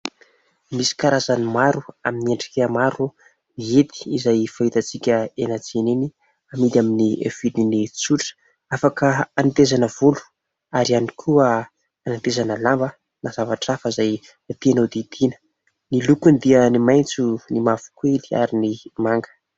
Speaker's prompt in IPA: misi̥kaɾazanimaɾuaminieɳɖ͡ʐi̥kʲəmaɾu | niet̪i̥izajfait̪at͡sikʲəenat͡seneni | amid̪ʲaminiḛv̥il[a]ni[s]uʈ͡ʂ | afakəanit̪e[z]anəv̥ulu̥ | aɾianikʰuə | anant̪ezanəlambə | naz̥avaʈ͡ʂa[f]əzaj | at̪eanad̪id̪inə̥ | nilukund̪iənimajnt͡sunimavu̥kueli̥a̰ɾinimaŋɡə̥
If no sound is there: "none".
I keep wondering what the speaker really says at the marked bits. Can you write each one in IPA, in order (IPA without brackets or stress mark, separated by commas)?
i, t͡s, z, f